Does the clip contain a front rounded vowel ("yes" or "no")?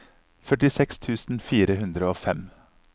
yes